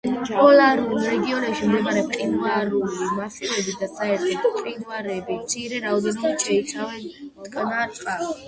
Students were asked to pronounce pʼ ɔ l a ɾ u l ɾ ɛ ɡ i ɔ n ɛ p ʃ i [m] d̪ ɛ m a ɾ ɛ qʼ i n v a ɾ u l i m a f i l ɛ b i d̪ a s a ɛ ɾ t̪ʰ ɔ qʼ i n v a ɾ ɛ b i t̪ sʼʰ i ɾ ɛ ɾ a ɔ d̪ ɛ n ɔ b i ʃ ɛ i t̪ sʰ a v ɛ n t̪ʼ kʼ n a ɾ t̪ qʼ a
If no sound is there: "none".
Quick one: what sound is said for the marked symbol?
m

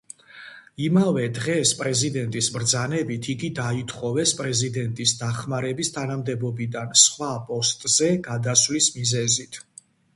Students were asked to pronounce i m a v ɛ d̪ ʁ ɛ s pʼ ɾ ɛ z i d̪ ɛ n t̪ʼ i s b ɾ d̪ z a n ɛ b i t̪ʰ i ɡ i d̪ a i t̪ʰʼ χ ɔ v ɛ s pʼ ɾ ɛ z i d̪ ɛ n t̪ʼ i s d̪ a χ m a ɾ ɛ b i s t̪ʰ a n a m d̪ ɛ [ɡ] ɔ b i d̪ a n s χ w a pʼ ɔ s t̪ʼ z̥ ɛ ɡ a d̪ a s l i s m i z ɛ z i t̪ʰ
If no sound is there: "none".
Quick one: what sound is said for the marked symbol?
b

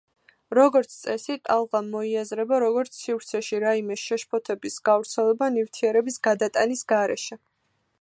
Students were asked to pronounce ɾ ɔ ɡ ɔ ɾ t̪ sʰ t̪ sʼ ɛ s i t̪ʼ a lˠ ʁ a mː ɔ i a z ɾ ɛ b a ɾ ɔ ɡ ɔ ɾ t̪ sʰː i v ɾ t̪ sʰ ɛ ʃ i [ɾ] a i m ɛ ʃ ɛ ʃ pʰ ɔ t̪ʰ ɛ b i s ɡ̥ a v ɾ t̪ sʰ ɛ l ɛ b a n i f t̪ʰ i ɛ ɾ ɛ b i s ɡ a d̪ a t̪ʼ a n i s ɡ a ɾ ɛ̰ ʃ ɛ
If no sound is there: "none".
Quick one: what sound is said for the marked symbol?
ɾ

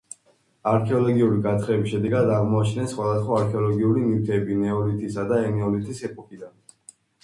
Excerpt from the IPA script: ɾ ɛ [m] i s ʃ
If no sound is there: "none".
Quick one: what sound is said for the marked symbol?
b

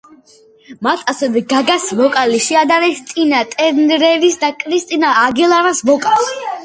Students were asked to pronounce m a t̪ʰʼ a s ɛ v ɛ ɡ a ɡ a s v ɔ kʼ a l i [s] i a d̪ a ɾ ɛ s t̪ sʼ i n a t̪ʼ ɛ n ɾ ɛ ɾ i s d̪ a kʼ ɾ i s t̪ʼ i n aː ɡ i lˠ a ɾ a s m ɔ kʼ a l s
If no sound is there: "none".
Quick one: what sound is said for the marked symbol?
ʃ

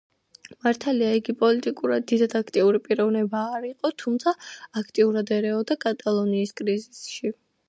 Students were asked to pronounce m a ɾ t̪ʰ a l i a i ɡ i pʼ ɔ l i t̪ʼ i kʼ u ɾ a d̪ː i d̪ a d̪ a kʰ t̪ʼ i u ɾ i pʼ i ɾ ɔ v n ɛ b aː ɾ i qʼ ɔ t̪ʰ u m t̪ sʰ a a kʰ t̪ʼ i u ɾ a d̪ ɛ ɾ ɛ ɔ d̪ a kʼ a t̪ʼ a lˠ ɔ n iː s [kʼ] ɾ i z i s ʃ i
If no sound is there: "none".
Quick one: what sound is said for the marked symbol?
kʼ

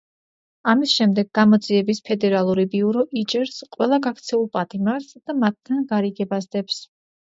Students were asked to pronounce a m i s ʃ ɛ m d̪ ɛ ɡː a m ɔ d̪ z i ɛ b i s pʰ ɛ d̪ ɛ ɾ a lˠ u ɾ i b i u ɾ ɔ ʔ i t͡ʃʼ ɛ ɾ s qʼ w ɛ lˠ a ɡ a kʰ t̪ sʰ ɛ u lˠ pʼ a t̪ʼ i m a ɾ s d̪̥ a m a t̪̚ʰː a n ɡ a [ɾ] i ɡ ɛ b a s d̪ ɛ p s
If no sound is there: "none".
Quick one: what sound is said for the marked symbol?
ɾ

